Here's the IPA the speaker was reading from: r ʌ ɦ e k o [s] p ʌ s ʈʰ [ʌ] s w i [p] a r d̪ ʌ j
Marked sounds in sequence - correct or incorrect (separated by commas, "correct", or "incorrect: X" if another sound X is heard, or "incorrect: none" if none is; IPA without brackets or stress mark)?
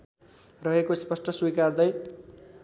correct, correct, incorrect: k